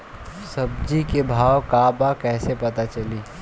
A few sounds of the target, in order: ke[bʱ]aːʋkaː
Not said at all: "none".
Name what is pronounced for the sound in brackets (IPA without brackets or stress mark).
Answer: bʱ